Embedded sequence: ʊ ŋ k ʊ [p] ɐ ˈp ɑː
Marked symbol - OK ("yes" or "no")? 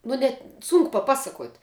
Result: yes